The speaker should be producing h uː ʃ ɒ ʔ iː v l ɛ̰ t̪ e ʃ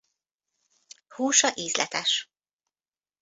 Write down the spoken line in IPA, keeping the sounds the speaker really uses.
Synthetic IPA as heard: h uː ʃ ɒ ʔ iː z l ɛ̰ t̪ ɛ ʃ